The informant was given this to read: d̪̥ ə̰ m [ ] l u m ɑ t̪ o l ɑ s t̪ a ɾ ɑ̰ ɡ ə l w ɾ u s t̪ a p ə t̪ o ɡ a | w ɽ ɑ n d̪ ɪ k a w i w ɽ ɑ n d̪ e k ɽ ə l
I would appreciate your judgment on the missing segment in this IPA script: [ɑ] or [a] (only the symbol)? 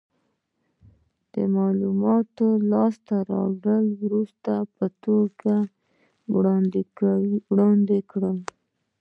ɑ